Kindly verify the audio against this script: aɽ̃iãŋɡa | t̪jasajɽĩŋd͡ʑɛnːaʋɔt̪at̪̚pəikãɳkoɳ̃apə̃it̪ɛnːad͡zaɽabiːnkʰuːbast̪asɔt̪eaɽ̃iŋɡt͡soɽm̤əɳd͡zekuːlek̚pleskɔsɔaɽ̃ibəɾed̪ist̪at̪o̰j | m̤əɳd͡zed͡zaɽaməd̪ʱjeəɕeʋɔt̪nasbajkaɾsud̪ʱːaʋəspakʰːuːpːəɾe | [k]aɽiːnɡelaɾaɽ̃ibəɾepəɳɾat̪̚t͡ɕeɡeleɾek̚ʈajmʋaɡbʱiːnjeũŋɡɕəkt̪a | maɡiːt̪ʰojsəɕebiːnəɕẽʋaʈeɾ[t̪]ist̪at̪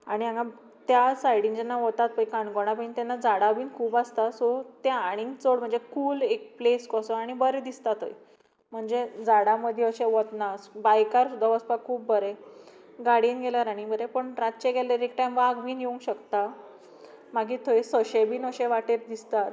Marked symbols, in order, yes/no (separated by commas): no, no